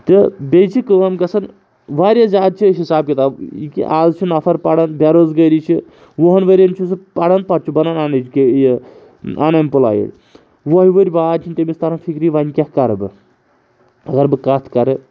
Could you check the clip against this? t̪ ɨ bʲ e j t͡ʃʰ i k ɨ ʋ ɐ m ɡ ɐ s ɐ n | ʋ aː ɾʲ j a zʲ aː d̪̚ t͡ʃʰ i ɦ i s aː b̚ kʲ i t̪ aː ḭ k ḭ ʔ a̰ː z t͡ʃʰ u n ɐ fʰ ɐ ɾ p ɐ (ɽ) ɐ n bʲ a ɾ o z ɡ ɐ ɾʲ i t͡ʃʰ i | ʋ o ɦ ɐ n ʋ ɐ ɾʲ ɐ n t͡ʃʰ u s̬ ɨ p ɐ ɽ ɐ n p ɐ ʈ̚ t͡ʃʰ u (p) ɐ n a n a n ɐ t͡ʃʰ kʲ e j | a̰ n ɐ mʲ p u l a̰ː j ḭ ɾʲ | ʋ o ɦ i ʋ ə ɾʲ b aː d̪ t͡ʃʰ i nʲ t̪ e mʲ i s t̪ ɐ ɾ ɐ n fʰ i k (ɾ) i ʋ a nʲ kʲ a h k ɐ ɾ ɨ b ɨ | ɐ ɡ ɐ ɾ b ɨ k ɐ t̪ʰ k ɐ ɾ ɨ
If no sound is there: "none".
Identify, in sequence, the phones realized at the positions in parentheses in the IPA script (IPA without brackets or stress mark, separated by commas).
ɽ, b, ɾ